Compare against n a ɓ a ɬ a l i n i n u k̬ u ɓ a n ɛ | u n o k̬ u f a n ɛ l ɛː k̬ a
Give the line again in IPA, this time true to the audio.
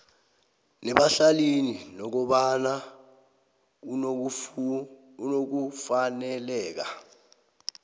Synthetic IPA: n ɛ ɓ a ɬ a l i n i n ɔ k̬ ɔ ɓ a n a | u n o k̬ u f a n ɛ l ɛː k̬ a